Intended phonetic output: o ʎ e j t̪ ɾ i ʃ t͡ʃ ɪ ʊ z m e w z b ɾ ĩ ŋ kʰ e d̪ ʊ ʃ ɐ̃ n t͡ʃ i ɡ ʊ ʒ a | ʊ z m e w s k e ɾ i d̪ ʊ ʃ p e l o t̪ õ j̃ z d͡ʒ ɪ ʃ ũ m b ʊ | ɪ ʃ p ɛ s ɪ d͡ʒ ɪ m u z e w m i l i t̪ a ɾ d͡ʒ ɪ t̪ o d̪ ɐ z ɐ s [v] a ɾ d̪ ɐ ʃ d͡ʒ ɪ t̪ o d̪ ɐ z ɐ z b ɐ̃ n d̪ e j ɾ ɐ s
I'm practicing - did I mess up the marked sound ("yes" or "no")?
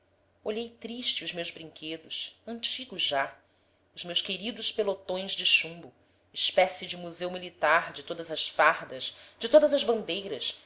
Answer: yes